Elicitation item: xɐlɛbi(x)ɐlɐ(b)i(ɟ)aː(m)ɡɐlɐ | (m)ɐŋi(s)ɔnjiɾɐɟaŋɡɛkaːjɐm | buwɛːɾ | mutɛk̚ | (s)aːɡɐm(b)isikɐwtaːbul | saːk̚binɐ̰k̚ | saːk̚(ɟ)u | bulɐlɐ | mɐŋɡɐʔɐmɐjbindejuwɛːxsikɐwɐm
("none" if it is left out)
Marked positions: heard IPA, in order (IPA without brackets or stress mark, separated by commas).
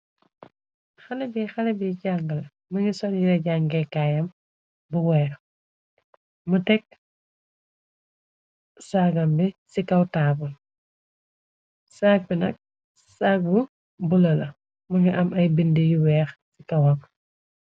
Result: x, b, ɟ, ŋ, m, s, s, b, b